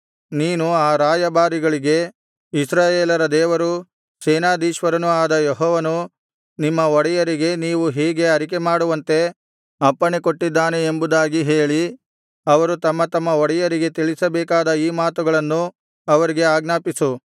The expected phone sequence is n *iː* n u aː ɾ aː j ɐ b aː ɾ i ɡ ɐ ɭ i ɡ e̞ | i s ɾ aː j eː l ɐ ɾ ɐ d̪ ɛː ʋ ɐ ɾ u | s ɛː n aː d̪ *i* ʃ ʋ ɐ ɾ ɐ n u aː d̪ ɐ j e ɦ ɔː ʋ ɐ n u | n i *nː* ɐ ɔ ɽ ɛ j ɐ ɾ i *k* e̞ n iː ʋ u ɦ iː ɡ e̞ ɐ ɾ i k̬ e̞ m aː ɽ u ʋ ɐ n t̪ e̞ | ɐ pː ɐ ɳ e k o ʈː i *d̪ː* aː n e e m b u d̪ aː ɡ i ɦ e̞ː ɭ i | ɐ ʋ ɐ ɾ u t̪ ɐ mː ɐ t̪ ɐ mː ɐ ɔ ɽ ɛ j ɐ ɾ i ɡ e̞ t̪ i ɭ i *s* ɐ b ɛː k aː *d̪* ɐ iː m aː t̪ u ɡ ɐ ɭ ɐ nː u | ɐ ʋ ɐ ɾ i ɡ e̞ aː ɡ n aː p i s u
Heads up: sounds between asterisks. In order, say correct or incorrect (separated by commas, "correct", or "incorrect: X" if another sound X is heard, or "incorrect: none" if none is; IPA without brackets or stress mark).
correct, incorrect: iː, incorrect: mː, incorrect: ɡ, correct, correct, correct